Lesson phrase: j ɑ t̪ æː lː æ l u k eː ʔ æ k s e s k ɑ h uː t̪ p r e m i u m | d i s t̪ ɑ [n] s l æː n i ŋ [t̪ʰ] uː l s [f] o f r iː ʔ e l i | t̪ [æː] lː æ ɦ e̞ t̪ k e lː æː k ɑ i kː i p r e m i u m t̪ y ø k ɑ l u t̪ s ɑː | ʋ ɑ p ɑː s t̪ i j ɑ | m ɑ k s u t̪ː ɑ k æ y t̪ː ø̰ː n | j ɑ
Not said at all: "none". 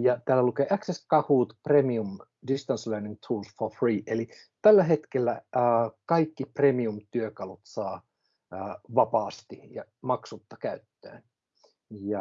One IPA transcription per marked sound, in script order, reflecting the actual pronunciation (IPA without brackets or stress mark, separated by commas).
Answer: n, t̪ʰ, f, æ